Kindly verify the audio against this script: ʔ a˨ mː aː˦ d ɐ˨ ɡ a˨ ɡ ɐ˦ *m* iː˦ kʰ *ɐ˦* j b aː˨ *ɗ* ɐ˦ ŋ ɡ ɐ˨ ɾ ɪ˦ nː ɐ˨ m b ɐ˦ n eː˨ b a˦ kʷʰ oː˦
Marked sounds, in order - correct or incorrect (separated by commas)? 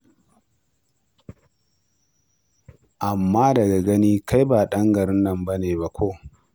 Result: incorrect, incorrect, correct